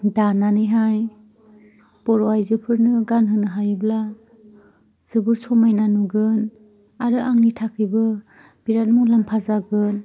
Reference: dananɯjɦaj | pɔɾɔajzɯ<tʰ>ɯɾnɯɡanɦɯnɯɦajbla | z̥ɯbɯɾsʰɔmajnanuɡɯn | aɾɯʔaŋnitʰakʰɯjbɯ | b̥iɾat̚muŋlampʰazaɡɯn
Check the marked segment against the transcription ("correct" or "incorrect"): incorrect